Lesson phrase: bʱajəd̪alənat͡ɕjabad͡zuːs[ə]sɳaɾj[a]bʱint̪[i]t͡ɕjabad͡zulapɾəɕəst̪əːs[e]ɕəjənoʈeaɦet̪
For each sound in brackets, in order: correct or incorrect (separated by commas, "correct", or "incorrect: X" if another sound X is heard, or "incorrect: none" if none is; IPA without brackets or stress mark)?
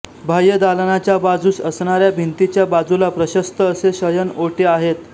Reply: correct, correct, correct, correct